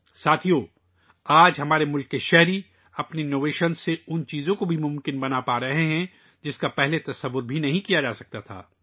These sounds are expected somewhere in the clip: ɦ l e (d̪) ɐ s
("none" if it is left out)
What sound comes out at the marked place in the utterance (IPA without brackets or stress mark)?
t̪